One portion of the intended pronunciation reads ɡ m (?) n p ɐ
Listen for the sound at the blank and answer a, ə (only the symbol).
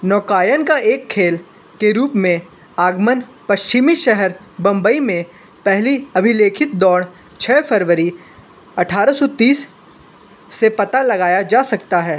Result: ə